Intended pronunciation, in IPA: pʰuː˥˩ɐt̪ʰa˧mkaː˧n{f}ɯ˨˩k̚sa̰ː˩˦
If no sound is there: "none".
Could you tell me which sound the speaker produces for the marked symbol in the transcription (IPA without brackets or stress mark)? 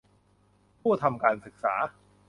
s